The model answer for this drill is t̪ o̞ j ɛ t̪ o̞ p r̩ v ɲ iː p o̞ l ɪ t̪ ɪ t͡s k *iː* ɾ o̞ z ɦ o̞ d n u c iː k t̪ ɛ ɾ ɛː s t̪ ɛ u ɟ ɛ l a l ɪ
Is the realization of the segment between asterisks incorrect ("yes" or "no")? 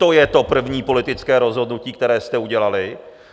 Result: yes